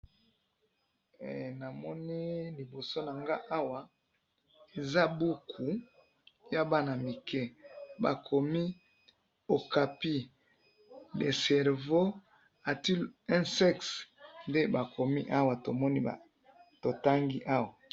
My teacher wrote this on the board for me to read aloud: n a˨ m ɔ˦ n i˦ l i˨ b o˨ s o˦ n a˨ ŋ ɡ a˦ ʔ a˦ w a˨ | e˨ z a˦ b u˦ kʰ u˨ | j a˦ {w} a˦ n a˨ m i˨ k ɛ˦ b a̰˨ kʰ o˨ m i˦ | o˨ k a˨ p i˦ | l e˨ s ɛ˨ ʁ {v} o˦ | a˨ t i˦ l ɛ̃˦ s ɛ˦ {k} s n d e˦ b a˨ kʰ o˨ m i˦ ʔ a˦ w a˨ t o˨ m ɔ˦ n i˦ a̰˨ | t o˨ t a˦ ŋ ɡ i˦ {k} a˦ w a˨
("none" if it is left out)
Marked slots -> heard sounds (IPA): b, v, k, ʔ

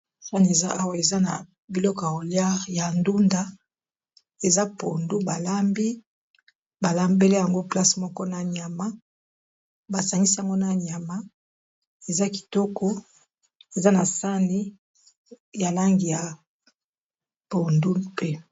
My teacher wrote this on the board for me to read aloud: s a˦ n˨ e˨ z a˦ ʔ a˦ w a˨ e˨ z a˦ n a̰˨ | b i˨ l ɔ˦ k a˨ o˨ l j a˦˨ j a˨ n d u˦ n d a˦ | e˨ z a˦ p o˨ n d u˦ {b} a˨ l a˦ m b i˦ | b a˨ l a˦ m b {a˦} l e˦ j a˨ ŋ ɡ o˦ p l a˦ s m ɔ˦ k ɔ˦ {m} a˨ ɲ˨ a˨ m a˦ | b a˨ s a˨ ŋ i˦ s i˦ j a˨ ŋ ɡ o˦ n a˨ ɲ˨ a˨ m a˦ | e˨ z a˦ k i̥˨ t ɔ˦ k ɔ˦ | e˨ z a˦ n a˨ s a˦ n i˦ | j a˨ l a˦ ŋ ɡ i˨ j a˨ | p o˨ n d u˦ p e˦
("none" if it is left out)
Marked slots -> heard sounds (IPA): b, e˦, n

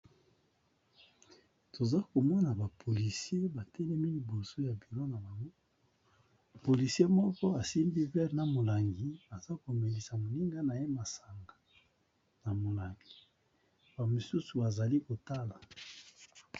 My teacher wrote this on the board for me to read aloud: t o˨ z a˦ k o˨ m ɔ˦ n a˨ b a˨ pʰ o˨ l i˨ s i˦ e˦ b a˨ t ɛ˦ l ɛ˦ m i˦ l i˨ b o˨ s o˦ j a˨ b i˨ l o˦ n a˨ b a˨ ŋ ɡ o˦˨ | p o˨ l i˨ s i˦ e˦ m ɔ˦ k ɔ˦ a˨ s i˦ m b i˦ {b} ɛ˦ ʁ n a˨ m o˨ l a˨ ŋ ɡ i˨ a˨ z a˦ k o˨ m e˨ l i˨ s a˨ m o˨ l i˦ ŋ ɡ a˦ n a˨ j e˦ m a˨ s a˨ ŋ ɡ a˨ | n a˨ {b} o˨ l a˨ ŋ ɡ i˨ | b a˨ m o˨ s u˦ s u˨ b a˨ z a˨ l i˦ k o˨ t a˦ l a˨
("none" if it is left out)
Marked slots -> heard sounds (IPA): v, m

